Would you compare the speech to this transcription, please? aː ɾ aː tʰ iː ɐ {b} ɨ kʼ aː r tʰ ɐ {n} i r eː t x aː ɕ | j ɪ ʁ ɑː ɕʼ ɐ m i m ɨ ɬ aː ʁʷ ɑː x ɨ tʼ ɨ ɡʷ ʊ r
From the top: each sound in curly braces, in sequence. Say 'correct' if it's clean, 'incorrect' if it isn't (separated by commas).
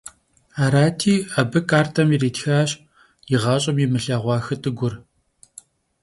correct, incorrect